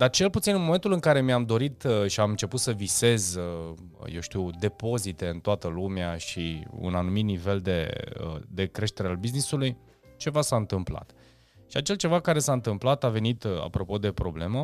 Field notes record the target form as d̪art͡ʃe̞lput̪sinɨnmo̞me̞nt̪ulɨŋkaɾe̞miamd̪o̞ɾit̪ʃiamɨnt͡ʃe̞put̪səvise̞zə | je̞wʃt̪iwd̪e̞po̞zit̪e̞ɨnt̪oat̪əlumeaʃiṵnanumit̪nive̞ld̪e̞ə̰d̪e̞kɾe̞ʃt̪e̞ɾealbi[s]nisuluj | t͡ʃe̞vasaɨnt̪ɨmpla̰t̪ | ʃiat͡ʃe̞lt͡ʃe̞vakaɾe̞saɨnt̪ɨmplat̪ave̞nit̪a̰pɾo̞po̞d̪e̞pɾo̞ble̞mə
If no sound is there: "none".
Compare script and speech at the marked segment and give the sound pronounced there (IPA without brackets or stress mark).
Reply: z